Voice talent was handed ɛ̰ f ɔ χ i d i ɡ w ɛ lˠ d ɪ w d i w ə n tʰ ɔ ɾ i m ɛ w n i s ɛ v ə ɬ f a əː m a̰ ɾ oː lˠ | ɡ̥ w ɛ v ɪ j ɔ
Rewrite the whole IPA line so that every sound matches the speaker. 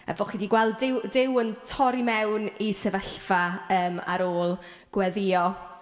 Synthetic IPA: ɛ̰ v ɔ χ i d i ɡ w ɛ lˠ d ɪ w d ɪ w ə n tʰ ɔ ɾ i m ɛ w n i s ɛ v ə ɬ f a əː m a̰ ɾ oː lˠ | ɡ̥ w ɛ ð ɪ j ɔ